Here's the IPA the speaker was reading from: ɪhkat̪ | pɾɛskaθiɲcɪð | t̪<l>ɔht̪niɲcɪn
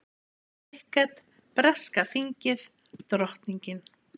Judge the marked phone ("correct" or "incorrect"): incorrect